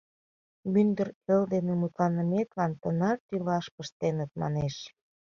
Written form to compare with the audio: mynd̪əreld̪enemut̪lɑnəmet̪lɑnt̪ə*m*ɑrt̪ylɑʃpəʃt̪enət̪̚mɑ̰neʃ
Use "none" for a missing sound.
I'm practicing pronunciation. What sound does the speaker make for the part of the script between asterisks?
n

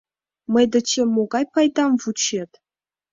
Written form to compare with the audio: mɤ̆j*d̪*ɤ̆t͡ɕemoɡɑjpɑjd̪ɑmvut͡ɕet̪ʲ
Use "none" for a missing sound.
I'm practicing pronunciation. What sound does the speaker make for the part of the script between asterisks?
d̪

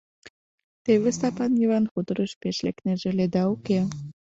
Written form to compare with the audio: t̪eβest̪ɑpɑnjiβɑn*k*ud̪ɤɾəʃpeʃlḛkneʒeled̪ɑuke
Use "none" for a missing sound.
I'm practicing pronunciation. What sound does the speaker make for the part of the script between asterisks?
x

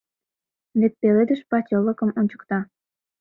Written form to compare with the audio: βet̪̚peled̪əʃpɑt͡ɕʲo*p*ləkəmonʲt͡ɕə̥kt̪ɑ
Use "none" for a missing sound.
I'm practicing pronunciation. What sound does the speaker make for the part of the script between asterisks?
none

